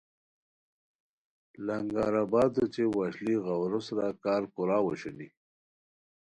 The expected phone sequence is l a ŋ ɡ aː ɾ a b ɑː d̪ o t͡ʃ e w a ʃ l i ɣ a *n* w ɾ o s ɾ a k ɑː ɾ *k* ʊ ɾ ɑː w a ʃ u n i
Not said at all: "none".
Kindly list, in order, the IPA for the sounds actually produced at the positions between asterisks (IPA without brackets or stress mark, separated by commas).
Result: none, k